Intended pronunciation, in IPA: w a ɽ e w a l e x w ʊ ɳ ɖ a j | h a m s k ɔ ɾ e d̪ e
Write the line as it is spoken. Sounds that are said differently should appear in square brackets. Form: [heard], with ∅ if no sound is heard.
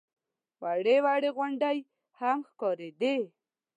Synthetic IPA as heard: w a ɽ e w a [ɽ] e [ɣ] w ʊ ɳ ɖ a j | h a m [x] k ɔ ɾ e d̪ e